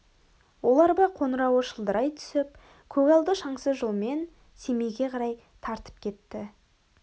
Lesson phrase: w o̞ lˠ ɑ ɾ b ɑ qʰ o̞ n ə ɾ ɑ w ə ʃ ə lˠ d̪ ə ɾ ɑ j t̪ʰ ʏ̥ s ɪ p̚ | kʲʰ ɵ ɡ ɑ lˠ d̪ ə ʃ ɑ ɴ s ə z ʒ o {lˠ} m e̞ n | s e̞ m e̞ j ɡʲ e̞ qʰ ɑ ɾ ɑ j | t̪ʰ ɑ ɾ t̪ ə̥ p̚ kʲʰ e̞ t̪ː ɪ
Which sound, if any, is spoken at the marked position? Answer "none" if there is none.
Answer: lˠ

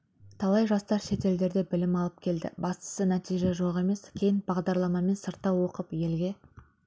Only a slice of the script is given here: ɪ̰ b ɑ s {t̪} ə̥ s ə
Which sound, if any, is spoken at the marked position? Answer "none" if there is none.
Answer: t̪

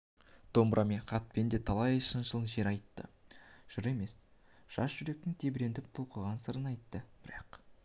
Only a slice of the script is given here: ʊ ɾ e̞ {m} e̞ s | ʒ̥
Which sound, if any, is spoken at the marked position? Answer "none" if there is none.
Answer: m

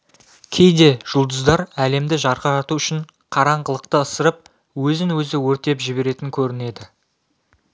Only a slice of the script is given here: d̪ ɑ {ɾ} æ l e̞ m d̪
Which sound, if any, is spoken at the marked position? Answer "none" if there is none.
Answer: ɾ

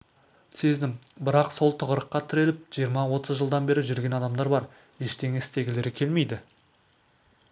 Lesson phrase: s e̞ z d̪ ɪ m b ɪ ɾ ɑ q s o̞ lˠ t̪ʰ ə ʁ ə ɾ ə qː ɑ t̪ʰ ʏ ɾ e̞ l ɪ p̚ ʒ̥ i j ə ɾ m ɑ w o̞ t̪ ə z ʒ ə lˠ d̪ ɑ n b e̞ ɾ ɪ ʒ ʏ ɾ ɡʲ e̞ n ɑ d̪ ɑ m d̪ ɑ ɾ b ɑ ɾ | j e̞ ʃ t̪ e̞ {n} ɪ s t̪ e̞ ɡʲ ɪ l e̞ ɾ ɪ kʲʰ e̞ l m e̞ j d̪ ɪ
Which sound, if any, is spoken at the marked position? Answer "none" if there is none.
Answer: ŋ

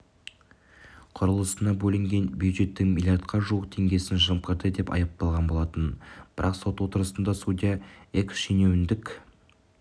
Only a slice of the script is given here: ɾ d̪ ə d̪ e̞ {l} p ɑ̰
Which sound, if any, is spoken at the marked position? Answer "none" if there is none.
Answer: none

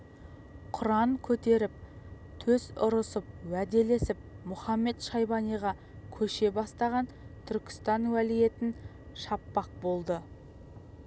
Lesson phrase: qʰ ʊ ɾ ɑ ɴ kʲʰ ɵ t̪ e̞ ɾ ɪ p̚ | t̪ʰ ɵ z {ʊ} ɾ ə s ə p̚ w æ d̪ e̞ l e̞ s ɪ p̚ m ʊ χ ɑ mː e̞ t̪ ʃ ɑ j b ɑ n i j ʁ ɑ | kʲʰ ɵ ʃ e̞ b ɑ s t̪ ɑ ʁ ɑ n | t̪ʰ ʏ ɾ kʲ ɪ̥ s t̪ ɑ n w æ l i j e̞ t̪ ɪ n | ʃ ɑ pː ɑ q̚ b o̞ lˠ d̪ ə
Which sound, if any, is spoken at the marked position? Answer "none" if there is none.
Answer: ʊ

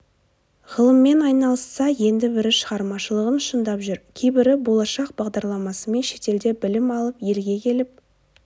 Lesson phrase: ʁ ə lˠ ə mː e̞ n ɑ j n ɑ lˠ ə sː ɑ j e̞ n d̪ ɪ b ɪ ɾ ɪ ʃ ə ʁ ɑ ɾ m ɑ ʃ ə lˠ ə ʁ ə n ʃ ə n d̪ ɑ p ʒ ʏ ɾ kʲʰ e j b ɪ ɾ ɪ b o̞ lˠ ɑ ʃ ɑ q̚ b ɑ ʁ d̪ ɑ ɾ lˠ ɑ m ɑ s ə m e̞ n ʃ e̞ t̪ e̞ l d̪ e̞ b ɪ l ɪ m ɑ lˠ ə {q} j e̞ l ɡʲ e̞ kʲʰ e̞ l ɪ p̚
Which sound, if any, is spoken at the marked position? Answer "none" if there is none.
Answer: p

